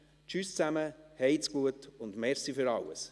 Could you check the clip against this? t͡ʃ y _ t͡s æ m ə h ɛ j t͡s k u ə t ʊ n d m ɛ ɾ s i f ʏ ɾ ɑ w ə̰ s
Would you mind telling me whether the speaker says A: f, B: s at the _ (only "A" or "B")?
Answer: B